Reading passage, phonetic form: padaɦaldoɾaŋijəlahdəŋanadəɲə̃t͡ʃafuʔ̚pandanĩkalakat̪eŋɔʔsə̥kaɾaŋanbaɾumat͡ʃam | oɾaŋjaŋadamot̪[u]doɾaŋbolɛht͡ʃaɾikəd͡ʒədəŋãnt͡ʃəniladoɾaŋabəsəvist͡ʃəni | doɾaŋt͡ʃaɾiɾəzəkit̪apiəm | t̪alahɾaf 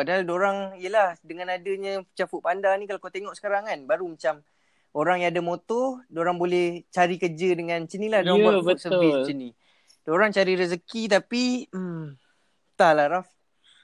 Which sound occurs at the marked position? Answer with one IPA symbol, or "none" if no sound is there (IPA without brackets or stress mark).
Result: ɔ